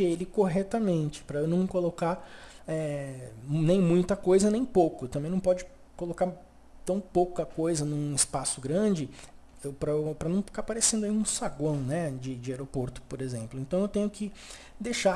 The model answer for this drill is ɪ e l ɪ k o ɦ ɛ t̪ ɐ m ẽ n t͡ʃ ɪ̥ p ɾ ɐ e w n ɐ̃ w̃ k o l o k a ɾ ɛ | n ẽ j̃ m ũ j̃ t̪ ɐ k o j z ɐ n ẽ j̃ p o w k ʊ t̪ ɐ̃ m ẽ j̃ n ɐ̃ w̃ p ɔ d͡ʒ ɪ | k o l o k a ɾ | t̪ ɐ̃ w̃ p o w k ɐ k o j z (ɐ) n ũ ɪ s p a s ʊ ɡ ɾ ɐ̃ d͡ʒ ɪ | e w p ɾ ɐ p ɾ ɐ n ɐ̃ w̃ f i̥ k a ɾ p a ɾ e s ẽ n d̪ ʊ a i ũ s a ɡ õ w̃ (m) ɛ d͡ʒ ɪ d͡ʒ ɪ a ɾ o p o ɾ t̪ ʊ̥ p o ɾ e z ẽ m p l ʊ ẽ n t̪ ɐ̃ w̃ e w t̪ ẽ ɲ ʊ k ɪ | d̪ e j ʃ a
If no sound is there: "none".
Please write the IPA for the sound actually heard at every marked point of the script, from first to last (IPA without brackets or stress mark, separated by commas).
ɐ, n